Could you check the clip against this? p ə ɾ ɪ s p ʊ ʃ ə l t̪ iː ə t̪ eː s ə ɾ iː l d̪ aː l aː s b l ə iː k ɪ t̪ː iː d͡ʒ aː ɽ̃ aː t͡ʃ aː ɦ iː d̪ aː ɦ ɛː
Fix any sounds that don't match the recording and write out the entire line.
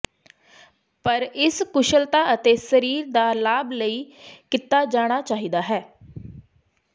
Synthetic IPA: p ə ɾ ɪ s k ʊ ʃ ə l t̪ aː ə t̪ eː s ə ɾ iː ɾ d̪ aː l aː b l ə iː k ɪ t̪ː aː d͡ʒ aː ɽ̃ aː t͡ʃ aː ɦ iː d̪ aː ɦ ɛː